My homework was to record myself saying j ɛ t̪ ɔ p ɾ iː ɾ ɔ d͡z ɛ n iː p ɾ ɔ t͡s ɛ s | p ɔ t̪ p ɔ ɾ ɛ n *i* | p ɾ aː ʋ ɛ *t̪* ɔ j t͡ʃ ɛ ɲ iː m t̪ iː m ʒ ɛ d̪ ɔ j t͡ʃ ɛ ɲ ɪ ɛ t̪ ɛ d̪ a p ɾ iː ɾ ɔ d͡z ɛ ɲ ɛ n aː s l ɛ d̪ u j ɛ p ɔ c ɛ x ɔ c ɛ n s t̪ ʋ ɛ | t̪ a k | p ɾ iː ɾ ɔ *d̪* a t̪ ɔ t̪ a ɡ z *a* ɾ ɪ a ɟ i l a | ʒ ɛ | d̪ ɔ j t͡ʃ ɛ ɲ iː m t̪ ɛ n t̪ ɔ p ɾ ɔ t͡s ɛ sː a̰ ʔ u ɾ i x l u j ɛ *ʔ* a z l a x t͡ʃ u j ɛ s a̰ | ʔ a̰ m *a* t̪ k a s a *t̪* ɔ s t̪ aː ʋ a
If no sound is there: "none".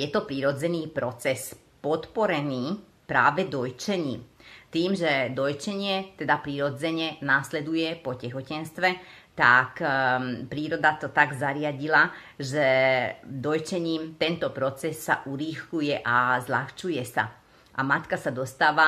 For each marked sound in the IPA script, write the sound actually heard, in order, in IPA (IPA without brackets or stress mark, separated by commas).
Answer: iː, d̪, d̪, a, ʔ, a, d̪